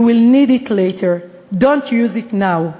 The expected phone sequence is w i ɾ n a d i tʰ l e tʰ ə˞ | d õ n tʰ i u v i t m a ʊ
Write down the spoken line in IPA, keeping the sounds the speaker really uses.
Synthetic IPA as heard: w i l n i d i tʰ l e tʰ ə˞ | d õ n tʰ j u z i t n a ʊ